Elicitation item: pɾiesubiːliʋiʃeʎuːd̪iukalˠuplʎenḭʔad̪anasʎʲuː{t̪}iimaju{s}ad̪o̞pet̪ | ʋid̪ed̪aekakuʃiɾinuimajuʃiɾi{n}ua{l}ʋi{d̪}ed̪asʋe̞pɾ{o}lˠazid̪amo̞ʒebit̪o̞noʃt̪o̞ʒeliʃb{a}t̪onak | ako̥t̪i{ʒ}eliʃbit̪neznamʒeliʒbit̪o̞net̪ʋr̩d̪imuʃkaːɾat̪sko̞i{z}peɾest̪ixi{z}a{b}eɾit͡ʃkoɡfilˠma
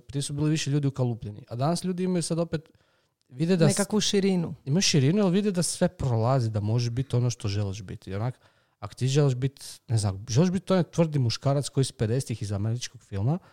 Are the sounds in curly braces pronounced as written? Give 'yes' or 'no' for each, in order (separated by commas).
no, yes, yes, yes, yes, yes, no, yes, no, yes, no